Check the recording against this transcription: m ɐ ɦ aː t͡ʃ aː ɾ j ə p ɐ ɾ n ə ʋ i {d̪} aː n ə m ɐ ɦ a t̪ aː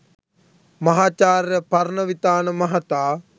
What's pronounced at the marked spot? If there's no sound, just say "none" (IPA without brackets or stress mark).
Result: t̪